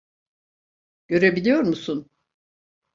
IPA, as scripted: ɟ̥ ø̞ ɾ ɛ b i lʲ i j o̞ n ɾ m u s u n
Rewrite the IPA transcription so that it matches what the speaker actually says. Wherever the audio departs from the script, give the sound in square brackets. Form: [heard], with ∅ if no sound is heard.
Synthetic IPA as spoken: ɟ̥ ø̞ ɾ [e] b i lʲ i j o̞ [∅] ɾ m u s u n